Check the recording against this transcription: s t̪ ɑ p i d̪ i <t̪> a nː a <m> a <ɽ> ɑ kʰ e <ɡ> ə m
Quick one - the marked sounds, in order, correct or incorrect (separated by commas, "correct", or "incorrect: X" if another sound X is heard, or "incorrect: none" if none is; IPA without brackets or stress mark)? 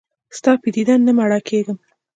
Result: incorrect: d̪, correct, correct, correct